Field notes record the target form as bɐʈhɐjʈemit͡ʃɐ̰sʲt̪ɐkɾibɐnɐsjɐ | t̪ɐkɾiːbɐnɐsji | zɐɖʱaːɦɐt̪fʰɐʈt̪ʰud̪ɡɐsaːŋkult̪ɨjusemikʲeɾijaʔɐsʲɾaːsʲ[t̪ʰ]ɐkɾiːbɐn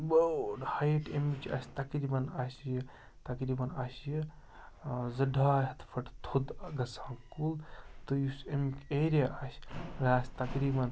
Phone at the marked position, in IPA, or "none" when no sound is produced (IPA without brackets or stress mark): t̪